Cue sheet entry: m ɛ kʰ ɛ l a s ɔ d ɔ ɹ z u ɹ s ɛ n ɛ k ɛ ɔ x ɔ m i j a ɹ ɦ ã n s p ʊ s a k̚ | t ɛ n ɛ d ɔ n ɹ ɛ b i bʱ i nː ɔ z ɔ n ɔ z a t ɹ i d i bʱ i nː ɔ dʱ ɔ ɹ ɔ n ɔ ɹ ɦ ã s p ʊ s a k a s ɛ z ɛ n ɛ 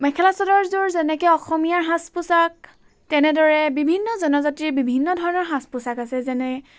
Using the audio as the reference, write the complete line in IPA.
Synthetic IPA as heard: m ɛ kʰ ɛ l a s ɔ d ɔ ɹ z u ɹ z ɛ n ɛ k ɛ ɔ x ɔ m i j a ɹ ɦ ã s p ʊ s a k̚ | t ɛ n ɛ d ɔ ɹ ɛ b i bʱ i nː ɔ z ɔ n ɔ z a t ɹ i b i bʱ i nː ɔ dʱ ɔ ɹ ɔ n ɔ ɹ ɦ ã s p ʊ s a k a s ɛ z ɛ n ɛ